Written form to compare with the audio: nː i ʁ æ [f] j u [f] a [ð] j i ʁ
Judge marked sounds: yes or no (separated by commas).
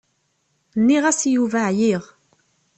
no, no, no